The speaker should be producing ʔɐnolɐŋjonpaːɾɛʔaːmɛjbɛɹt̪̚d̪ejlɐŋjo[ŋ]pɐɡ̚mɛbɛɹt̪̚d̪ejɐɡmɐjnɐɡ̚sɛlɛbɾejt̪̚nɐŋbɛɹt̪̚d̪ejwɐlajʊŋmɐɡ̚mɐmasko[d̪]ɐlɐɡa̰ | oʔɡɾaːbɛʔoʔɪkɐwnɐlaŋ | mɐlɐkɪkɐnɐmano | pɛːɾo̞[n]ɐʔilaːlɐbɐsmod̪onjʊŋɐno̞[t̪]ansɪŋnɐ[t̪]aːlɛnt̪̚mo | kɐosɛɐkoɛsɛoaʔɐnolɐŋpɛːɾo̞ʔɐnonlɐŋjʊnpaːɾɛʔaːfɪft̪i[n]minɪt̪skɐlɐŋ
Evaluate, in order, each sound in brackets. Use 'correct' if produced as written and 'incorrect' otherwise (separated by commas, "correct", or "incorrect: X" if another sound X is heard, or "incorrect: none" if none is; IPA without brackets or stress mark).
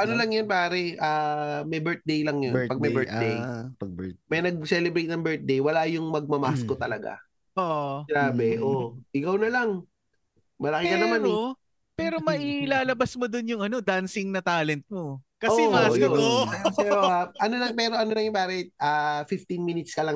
incorrect: n, incorrect: t̪, incorrect: m, incorrect: d̪, correct, correct